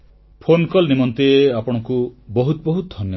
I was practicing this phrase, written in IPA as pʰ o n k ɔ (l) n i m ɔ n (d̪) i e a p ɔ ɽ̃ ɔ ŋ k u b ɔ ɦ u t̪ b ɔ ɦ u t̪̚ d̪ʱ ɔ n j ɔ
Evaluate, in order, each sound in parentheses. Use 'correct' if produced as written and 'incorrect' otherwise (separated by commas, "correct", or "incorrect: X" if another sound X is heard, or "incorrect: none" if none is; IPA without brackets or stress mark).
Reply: correct, incorrect: t̪